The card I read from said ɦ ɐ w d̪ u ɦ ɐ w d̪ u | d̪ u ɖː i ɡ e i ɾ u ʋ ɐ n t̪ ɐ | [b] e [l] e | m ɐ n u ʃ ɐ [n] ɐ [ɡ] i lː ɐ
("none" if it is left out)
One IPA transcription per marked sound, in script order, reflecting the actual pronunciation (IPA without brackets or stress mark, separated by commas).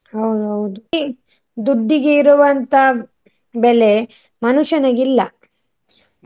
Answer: b, l, n, ɡ